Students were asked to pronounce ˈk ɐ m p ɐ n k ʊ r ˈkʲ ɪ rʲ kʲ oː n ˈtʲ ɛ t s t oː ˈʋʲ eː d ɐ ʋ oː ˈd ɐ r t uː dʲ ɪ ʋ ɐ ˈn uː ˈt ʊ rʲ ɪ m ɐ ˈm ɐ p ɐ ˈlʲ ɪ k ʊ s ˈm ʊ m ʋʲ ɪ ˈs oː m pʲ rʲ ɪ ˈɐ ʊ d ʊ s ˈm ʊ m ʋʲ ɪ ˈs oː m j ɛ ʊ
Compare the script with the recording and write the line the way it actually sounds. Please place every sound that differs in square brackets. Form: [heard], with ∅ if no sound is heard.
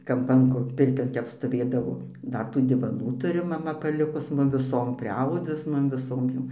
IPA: ˈk ɐ m p ɐ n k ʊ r [ˈpʲ] ɪ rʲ kʲ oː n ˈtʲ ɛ [p] s t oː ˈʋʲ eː d ɐ ʋ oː ˈd ɐ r t uː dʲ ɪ ʋ ɐ ˈn uː ˈt ʊ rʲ ɪ m ɐ ˈm ɐ p ɐ ˈlʲ ɪ k ʊ s ˈm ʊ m ʋʲ ɪ ˈs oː m pʲ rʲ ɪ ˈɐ ʊ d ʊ s ˈm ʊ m ʋʲ ɪ ˈs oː m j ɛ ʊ

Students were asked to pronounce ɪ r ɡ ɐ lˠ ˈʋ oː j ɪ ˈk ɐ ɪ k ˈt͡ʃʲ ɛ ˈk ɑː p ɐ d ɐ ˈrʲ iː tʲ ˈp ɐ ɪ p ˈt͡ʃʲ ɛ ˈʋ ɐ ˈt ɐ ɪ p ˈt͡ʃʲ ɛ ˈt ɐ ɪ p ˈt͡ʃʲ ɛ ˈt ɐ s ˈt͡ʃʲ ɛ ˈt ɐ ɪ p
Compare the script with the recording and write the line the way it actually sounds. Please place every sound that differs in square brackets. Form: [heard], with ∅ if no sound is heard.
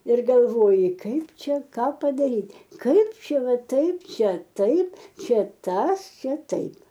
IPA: ɪ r ɡ ɐ lˠ ˈʋ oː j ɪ ˈk ɐ ɪ [p] ˈt͡ʃʲ ɛ ˈk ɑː p ɐ d ɐ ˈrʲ iː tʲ [ˈk] ɐ ɪ p ˈt͡ʃʲ ɛ ˈʋ ɐ ˈt ɐ ɪ p ˈt͡ʃʲ ɛ ˈt ɐ ɪ p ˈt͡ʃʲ ɛ ˈt ɐ s ˈt͡ʃʲ ɛ ˈt ɐ ɪ p

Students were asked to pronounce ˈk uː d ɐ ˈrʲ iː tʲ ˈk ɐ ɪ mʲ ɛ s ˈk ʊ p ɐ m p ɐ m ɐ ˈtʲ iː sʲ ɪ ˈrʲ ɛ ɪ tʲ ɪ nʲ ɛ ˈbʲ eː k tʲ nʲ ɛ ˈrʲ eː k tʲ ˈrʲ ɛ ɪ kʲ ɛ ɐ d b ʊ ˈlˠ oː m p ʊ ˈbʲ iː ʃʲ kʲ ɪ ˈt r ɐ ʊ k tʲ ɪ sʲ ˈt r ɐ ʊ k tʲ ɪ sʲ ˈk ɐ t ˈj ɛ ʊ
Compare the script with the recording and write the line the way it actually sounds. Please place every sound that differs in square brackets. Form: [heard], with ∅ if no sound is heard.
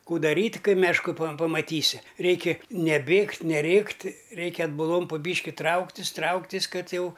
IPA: ˈk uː d ɐ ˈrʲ iː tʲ ˈk ɐ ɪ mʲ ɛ [ʃ] ˈk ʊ p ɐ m p ɐ m ɐ ˈtʲ iː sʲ ɪ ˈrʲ ɛ ɪ [kʲ] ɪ nʲ ɛ ˈbʲ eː k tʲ nʲ ɛ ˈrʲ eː k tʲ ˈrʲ ɛ ɪ kʲ ɛ ɐ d b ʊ ˈlˠ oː m p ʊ ˈbʲ iː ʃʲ kʲ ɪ ˈt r ɐ ʊ k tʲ ɪ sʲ ˈt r ɐ ʊ k tʲ ɪ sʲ ˈk ɐ t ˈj ɛ ʊ

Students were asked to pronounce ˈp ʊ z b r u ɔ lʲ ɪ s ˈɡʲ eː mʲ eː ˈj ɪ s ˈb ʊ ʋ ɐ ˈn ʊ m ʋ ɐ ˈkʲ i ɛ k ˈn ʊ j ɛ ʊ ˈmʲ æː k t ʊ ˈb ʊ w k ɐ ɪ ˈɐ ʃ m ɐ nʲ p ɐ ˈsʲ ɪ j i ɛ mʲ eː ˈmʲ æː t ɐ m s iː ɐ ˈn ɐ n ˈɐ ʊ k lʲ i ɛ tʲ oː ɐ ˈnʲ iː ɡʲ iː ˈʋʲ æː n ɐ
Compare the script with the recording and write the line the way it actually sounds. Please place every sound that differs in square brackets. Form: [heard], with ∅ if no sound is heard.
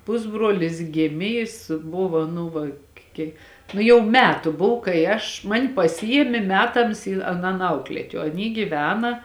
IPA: ˈp ʊ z b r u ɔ lʲ ɪ s ˈɡʲ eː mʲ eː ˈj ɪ s ˈb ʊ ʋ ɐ ˈn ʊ [∅] ʋ ɐ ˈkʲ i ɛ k ˈn ʊ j ɛ ʊ ˈmʲ æː [∅] t ʊ ˈb ʊ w k ɐ ɪ ˈɐ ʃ m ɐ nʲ p ɐ ˈsʲ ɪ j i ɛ mʲ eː ˈmʲ æː t ɐ m s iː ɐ ˈn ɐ n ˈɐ ʊ k lʲ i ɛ tʲ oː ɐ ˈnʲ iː ɡʲ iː ˈʋʲ æː n ɐ

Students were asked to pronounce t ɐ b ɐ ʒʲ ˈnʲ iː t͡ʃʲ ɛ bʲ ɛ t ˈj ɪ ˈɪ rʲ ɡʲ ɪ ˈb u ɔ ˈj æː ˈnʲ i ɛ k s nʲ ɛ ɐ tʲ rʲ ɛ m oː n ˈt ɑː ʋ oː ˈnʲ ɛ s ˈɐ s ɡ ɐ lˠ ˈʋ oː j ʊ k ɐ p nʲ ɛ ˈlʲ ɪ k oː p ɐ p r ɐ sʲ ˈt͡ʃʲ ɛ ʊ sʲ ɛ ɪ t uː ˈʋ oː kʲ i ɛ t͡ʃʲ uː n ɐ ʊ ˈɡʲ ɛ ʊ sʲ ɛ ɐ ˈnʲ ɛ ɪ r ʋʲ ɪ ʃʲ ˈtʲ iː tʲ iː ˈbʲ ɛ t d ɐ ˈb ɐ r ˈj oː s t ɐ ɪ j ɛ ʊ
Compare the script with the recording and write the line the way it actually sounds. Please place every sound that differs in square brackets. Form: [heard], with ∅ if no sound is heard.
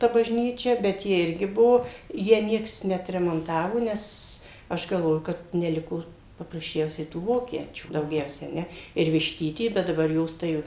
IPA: t ɐ b ɐ ʒʲ ˈnʲ iː t͡ʃʲ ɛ bʲ ɛ t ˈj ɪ ˈɪ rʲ ɡʲ ɪ ˈb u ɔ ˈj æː ˈnʲ i ɛ k s nʲ ɛ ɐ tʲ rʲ ɛ m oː n ˈt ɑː ʋ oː ˈnʲ ɛ s ˈɐ [ʃ] ɡ ɐ lˠ ˈʋ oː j ʊ k ɐ [t] nʲ ɛ ˈlʲ ɪ k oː p ɐ p r ɐ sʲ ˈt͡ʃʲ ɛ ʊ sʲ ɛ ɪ t uː ˈʋ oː kʲ i ɛ t͡ʃʲ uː [d] ɐ ʊ ˈɡʲ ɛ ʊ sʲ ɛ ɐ ˈnʲ ɛ ɪ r ʋʲ ɪ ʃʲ ˈtʲ iː tʲ iː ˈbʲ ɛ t d ɐ ˈb ɐ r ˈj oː s t ɐ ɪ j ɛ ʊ

